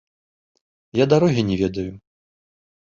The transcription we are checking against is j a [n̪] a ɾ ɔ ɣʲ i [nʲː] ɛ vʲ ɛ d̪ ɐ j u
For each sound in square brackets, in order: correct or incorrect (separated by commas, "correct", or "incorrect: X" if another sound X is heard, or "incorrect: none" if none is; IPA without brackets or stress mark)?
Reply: incorrect: d̪, incorrect: nʲ